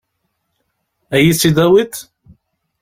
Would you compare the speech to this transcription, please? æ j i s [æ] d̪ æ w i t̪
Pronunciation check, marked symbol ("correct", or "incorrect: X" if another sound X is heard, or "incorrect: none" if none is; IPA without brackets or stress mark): incorrect: i